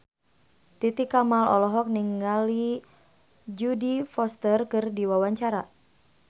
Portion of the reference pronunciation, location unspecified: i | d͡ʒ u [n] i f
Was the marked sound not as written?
yes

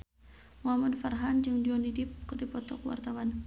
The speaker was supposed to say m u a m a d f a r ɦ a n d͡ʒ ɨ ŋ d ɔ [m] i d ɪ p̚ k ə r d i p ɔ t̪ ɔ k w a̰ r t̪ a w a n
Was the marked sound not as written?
yes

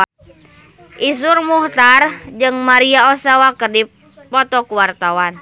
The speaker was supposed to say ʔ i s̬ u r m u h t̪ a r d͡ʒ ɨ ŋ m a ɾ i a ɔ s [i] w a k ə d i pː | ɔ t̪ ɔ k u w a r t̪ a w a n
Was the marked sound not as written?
yes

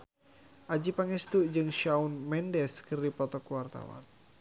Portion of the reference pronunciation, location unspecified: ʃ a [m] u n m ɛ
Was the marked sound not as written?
yes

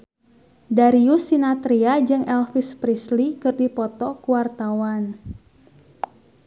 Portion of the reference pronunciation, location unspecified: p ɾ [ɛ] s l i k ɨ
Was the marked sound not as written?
yes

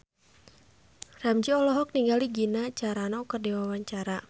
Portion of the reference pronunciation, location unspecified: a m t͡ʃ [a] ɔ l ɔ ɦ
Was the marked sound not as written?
yes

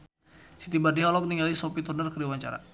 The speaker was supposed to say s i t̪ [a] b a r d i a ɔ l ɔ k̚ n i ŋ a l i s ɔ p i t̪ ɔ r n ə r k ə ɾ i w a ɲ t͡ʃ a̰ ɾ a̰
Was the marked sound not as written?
yes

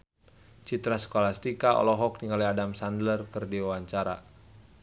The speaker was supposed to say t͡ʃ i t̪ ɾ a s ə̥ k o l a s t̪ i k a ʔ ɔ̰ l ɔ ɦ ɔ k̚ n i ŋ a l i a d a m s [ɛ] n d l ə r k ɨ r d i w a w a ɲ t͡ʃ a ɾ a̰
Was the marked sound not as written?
yes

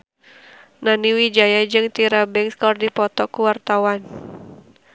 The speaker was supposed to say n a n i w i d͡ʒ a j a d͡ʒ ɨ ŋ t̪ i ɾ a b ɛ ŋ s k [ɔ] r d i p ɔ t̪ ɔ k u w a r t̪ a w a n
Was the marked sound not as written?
no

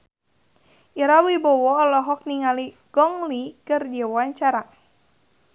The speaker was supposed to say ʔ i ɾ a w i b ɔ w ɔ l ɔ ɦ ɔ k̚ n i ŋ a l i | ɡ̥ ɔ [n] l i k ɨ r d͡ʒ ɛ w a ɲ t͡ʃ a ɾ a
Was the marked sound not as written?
yes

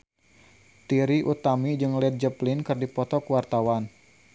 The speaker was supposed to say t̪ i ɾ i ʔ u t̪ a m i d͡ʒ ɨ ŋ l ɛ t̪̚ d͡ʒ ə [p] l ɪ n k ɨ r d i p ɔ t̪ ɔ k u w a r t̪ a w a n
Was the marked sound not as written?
no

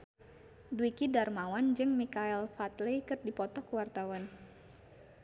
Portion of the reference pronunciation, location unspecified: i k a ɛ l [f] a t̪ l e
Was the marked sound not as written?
no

